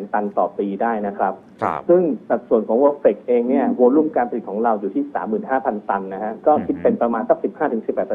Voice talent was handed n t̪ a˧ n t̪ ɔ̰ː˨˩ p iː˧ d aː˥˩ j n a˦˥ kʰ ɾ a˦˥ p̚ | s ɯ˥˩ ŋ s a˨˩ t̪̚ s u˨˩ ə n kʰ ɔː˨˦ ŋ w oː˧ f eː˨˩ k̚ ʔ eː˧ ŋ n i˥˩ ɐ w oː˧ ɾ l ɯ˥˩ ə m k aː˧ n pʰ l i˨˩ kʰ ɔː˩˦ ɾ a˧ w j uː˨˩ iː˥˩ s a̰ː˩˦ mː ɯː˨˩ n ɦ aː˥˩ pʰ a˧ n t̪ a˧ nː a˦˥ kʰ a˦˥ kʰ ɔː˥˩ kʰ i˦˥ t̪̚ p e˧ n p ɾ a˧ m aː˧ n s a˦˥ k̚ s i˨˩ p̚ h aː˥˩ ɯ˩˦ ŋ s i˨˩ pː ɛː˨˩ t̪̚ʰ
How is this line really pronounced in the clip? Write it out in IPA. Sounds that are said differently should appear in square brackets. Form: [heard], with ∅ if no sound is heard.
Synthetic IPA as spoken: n t̪ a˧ n t̪ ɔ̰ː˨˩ p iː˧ d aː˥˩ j n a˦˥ kʰ ɾ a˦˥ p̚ | s ɯ˥˩ ŋ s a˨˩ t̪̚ s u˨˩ ə n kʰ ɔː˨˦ ŋ w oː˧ f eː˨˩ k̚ ʔ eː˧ ŋ n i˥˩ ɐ w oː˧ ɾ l [u˥˩] ə m k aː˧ n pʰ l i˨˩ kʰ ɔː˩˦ ɾ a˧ w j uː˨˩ iː˥˩ s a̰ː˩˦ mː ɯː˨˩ n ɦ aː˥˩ pʰ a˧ n t̪ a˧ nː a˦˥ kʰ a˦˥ [k] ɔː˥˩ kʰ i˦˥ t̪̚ p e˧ n p ɾ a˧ m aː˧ n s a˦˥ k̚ s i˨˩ p̚ h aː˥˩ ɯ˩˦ ŋ s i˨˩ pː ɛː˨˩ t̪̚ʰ